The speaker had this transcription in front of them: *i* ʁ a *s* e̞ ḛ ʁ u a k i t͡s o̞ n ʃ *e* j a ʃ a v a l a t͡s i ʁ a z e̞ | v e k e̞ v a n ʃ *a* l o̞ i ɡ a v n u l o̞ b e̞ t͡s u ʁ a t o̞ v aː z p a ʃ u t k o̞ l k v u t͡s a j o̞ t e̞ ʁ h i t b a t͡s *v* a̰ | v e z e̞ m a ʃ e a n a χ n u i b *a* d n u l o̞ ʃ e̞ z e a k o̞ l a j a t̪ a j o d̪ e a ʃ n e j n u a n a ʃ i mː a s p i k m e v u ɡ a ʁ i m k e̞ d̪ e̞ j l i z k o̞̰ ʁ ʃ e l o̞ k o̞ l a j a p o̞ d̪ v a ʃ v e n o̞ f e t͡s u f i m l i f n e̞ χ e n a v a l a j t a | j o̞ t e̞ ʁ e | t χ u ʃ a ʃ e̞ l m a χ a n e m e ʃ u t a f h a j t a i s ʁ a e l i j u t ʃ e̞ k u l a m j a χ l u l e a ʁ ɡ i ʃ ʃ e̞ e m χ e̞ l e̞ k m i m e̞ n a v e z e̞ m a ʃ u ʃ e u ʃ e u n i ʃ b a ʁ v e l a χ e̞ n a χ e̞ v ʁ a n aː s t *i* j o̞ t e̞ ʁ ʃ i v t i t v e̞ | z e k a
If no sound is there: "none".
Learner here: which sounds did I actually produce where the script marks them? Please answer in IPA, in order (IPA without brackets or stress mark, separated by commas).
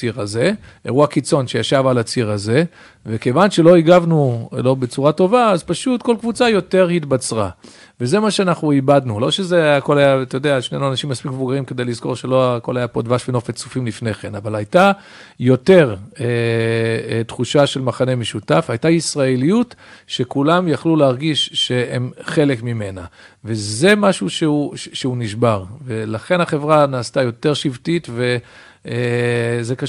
i, z, e, e, ʁ, a, a